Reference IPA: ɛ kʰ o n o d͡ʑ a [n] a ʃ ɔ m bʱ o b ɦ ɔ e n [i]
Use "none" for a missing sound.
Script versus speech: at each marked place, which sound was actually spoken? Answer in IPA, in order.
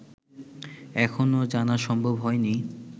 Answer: n, i

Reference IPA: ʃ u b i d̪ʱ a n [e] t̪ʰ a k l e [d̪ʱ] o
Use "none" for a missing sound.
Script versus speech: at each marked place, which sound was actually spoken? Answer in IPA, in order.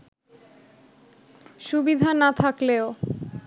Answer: a, none

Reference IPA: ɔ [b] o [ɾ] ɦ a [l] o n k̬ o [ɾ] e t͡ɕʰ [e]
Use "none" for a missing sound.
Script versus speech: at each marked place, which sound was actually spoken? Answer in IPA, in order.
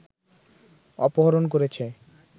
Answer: p, none, ɾ, ɾ, e

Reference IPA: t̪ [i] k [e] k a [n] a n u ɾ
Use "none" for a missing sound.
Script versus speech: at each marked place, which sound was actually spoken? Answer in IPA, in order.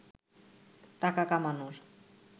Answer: a, a, m

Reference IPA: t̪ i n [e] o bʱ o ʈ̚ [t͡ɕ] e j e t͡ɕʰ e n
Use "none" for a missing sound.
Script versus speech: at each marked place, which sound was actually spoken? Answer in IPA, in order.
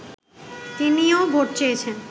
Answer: i, t͡ɕ

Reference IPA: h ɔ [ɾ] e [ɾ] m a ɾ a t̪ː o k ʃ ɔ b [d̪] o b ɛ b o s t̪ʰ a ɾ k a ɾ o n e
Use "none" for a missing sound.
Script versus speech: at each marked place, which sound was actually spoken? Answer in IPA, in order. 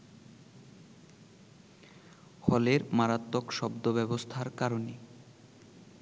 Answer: l, ɾ, d̪

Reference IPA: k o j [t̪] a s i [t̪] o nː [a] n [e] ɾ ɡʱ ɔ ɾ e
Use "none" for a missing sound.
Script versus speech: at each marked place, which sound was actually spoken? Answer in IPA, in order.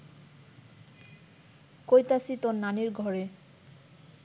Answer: t̪, t̪, a, i

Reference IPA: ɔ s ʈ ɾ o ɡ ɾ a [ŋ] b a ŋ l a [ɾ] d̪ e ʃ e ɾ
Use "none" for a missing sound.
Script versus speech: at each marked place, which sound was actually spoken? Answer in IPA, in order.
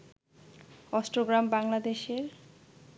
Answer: m, none

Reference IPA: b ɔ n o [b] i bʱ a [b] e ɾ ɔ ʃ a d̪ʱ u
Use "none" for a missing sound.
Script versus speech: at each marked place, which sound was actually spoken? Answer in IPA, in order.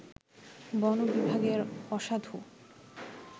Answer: b, ɡ

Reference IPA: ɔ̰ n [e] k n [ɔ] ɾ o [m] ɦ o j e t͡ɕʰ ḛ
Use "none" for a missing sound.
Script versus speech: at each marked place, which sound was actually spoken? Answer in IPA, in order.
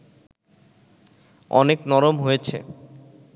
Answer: e, ɔ, m

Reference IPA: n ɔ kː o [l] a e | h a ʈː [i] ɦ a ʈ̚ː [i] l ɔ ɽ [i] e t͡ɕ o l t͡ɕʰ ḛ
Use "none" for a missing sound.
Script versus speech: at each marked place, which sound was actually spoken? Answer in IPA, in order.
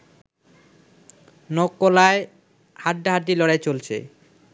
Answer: l, a, i, a

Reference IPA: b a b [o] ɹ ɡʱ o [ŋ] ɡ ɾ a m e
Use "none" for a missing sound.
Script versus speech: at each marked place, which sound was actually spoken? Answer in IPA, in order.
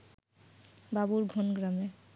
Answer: u, n

